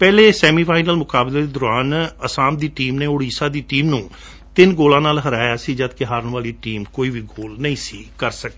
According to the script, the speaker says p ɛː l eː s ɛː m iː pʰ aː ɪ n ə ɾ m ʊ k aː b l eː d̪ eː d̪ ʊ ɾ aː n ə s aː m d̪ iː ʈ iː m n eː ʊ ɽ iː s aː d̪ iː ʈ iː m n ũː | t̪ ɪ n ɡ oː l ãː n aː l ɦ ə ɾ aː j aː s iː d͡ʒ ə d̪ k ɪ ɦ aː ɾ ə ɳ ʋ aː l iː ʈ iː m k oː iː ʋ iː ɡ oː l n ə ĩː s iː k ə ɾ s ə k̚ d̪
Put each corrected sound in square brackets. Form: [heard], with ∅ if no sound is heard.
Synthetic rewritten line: p ɛː l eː s ɛː m iː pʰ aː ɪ n ə [l] m ʊ k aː b l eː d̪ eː d̪ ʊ ɾ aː n ə s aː m d̪ iː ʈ iː m n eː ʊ ɽ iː s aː d̪ iː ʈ iː m n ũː | t̪ ɪ n ɡ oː l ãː n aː l ɦ ə ɾ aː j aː s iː d͡ʒ ə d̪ k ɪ ɦ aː ɾ ə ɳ ʋ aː l iː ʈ iː m k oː iː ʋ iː ɡ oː l n ə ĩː s iː k ə ɾ s ə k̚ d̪

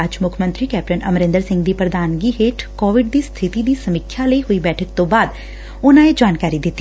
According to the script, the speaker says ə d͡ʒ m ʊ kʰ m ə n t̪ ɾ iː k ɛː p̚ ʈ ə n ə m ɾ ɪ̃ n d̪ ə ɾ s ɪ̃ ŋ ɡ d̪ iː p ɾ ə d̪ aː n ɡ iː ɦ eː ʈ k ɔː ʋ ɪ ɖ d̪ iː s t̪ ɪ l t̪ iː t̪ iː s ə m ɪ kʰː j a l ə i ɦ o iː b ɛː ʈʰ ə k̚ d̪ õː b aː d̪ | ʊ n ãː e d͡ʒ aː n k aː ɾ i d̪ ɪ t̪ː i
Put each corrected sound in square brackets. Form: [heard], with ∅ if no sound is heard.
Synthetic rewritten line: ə d͡ʒ m ʊ kʰ m ə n t̪ ɾ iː k ɛː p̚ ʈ ə n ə m ɾ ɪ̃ n d̪ ə ɾ s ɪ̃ ŋ ɡ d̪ iː p ɾ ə d̪ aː n ɡ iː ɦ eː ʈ k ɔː ʋ ɪ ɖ d̪ iː s [t̪ʰ] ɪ [∅] t̪ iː [d̪] iː s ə m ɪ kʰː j a l ə i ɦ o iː b ɛː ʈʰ ə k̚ [t̪] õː b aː d̪ | ʊ n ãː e d͡ʒ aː n k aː ɾ i d̪ ɪ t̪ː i

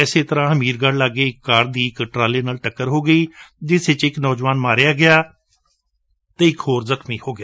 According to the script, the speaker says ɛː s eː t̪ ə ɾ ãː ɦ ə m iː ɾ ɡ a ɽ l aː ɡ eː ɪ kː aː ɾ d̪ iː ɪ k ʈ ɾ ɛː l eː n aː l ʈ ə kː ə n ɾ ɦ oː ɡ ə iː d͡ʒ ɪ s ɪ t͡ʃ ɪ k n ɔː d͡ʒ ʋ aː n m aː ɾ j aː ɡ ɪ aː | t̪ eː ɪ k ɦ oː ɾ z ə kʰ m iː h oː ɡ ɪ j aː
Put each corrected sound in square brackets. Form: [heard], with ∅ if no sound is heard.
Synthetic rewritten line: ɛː s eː t̪ ə ɾ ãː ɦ ə m iː ɾ ɡ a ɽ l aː ɡ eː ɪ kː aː ɾ d̪ iː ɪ k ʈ ɾ [aː] l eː n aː l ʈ ə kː ə [∅] ɾ ɦ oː ɡ ə iː d͡ʒ ɪ s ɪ t͡ʃ ɪ k n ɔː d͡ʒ ʋ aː n m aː ɾ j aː ɡ ɪ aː | t̪ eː ɪ k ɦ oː ɾ z ə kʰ m iː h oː ɡ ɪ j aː

